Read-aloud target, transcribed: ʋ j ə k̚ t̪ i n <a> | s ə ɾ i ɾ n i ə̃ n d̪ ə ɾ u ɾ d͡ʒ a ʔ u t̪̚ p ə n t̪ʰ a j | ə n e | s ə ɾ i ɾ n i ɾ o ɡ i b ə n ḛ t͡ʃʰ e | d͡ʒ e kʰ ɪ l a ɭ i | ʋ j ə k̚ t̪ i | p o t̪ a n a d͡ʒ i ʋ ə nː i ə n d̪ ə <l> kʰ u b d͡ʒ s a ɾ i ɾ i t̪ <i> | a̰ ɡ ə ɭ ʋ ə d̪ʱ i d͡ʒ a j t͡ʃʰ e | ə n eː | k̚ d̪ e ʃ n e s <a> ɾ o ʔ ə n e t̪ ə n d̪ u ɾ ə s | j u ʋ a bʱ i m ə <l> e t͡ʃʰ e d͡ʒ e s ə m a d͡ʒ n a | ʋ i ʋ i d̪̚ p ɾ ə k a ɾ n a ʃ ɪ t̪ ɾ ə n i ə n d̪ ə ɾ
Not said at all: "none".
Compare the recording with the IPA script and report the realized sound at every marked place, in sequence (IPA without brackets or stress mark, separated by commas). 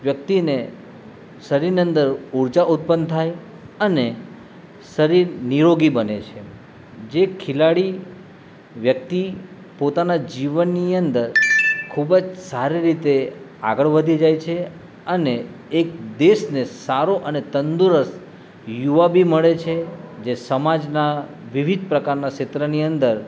e, ɾ, e, a, ɭ